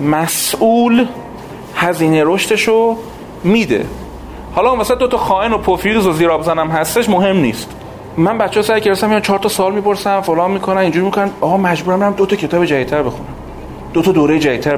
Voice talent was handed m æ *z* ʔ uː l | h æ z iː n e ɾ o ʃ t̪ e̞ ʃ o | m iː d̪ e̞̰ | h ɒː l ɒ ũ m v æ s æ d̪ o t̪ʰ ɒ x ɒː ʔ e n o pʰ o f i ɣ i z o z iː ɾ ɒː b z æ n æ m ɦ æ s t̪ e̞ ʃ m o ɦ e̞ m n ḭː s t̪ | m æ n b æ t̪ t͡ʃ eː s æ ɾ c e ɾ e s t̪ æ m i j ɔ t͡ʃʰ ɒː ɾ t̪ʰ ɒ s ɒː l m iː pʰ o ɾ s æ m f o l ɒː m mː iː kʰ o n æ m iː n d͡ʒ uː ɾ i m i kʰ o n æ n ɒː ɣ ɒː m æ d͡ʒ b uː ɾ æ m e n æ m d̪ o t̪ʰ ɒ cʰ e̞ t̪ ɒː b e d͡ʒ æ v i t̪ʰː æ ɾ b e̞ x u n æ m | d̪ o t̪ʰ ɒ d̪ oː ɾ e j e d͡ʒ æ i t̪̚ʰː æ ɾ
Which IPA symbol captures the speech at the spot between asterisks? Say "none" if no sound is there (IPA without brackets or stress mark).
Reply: s